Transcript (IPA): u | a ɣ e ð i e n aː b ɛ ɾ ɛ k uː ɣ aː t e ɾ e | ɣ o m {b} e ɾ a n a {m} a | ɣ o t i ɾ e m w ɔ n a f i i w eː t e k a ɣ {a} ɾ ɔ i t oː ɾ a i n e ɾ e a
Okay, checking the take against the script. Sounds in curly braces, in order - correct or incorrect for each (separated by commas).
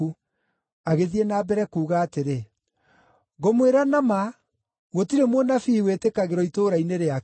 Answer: incorrect, correct, incorrect